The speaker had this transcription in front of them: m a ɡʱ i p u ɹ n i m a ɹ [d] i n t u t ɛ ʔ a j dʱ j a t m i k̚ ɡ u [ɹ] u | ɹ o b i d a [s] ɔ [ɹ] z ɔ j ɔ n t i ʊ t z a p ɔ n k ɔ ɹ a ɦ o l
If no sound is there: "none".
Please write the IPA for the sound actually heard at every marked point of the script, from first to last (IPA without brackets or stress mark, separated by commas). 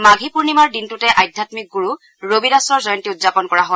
d, ɹ, s, ɹ